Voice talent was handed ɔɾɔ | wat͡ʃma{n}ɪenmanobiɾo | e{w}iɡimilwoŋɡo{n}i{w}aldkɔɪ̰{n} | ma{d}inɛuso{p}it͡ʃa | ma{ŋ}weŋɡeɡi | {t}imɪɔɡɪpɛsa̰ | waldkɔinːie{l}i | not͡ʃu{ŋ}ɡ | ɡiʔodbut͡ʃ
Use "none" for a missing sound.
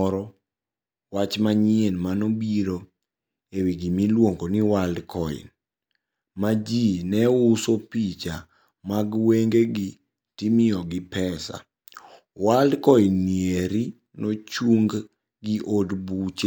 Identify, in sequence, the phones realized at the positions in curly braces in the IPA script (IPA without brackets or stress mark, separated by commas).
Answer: ɲ, w, n, w, n, d͡ʒ, p, ɡ, t, ɾ, ŋ